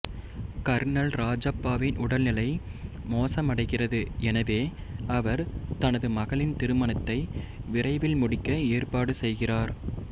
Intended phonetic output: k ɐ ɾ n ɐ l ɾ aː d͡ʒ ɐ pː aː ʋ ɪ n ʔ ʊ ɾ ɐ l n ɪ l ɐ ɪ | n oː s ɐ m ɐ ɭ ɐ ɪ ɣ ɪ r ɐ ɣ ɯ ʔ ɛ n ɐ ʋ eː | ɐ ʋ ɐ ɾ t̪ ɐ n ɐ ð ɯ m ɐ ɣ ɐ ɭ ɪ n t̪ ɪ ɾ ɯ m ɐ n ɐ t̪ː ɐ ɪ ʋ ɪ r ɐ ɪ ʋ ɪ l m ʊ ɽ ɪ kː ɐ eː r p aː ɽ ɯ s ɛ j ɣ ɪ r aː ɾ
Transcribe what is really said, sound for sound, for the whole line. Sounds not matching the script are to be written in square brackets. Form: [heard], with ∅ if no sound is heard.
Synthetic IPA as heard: k ɐ ɾ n ɐ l ɾ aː d͡ʒ ɐ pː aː ʋ ɪ n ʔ ʊ [ɽ] ɐ l n ɪ l ɐ ɪ | [m] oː s ɐ m ɐ [ɽ] ɐ ɪ ɣ ɪ r ɐ [ð] ɯ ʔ ɛ n ɐ ʋ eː | ɐ ʋ ɐ ɾ t̪ ɐ n ɐ ð ɯ m ɐ ɣ ɐ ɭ ɪ n t̪ ɪ ɾ ɯ m ɐ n ɐ t̪ː ɐ ɪ ʋ ɪ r ɐ ɪ ʋ ɪ l m ʊ ɽ ɪ kː ɐ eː r p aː ɽ ɯ s ɛ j ɣ ɪ r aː ɾ